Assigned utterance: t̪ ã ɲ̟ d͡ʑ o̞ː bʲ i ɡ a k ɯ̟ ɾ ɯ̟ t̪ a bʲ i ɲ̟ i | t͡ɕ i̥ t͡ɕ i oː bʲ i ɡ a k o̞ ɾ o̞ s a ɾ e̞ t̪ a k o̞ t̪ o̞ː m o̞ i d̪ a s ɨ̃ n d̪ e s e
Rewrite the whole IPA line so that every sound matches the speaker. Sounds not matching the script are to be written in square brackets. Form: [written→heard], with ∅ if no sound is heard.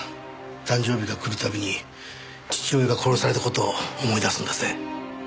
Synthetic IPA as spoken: t̪ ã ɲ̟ d͡ʑ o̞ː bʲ i ɡ a k ɯ̟ ɾ ɯ̟ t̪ a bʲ i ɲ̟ i | t͡ɕ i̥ t͡ɕ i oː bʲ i ɡ a k o̞ ɾ o̞ s a ɾ e̞ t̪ a k o̞ t̪ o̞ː m o̞ i d̪ a s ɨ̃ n d̪ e s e